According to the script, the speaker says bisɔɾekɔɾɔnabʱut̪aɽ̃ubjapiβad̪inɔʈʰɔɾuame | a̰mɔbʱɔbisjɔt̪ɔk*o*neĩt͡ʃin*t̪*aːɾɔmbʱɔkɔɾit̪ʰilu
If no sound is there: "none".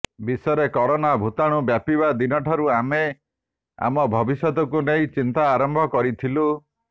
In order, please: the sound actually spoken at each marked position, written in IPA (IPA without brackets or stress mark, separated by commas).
u, t̪